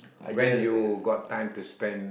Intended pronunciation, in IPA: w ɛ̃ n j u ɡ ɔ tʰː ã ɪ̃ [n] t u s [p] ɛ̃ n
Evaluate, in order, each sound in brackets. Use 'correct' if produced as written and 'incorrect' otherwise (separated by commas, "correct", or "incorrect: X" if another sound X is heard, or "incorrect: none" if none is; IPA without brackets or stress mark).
incorrect: m, correct